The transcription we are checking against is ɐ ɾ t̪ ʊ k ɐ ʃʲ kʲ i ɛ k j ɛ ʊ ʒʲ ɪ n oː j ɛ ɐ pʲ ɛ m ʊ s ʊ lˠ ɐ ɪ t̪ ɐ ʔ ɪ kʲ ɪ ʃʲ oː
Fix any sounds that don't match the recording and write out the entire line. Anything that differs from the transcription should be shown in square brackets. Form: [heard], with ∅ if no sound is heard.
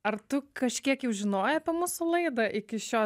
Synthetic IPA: ɐ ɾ t̪ ʊ k ɐ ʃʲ kʲ i ɛ k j ɛ ʊ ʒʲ ɪ n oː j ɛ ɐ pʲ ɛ m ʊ s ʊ lˠ ɐ ɪ [d̪] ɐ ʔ ɪ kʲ ɪ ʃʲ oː